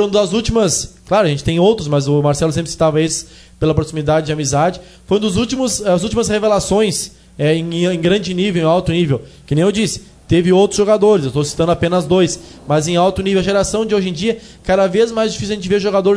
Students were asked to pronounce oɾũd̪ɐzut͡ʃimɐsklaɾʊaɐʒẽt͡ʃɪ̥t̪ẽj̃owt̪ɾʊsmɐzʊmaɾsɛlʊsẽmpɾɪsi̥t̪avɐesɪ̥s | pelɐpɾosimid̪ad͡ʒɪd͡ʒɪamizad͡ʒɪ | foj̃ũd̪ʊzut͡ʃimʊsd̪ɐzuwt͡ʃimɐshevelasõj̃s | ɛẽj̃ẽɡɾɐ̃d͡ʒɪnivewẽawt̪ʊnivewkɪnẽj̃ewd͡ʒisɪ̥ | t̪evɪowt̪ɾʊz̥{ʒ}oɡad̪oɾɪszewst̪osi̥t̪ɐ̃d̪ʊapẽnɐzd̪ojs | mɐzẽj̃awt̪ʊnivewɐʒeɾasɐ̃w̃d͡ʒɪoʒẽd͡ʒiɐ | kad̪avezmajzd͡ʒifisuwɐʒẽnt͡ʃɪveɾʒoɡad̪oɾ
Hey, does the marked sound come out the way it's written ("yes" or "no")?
yes